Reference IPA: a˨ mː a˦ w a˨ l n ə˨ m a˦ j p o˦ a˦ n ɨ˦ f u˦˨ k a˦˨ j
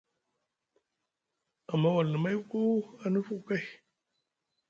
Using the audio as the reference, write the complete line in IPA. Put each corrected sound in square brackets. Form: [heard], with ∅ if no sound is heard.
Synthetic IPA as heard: a˨ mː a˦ w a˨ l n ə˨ m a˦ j [k] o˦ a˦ n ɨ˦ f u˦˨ k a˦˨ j